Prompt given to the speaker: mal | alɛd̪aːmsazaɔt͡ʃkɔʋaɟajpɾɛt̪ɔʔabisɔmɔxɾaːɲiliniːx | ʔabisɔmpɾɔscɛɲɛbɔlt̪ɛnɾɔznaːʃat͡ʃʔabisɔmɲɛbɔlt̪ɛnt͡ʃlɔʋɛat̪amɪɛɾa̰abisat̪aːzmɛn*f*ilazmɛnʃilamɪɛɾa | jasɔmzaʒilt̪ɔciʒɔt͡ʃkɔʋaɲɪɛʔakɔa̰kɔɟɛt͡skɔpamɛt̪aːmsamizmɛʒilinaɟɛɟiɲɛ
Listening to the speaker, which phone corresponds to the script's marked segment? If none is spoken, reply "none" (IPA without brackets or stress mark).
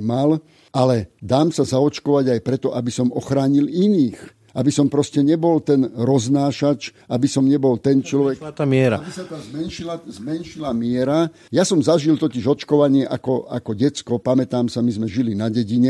ʃ